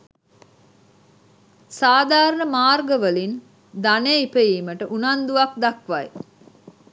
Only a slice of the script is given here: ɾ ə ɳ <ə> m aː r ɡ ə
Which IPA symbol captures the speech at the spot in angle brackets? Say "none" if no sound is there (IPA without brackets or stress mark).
ə